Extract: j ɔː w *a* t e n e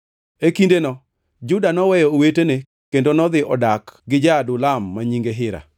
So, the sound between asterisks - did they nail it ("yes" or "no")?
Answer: no